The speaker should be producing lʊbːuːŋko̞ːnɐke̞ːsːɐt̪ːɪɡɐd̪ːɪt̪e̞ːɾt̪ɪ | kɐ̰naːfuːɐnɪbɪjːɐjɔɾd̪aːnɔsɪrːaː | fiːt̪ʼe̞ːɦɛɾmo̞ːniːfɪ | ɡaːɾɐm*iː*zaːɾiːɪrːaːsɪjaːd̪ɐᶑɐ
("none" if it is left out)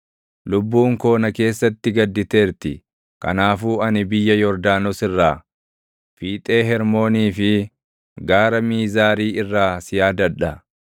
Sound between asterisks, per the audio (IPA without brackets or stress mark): iː